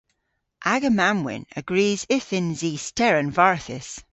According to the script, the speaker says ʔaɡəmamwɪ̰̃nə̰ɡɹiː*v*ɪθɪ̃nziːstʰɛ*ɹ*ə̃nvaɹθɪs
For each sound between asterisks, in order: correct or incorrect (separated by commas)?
incorrect, correct